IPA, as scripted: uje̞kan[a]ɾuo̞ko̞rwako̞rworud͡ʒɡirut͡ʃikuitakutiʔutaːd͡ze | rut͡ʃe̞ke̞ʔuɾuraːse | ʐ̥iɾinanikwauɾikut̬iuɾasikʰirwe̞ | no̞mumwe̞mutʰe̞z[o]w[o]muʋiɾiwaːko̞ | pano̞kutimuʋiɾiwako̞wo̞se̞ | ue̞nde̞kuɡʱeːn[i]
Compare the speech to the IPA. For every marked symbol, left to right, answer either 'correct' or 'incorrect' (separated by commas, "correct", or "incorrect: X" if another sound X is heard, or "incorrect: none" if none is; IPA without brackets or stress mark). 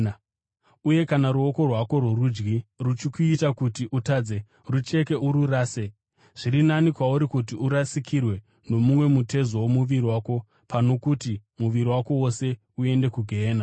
correct, correct, correct, incorrect: a